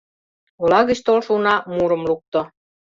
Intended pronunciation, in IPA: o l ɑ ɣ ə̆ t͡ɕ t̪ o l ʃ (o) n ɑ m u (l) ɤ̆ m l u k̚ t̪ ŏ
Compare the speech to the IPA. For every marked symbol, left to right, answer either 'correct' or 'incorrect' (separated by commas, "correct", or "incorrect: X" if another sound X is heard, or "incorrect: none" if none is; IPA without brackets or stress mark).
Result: incorrect: u, incorrect: ɾ